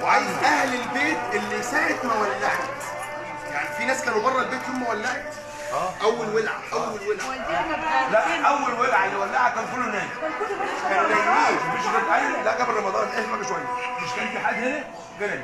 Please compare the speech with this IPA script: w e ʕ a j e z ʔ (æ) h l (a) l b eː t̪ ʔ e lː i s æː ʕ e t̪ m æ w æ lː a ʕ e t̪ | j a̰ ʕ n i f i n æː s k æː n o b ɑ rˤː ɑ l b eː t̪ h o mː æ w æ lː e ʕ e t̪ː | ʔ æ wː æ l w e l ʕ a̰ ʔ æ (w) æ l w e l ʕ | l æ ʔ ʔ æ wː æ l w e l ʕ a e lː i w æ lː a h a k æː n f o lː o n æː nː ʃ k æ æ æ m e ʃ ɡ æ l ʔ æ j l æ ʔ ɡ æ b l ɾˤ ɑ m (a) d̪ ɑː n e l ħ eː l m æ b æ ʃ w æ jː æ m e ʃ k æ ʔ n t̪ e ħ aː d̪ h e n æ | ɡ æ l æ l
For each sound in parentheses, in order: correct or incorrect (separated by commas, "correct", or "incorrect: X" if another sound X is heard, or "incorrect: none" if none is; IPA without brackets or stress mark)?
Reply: correct, incorrect: e, incorrect: wː, incorrect: ɑ